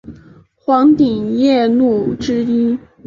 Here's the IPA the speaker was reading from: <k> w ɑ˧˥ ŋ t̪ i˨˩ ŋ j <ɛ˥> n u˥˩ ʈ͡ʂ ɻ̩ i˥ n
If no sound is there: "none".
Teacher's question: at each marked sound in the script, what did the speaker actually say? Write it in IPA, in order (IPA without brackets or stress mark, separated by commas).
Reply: x, ɛ˥˧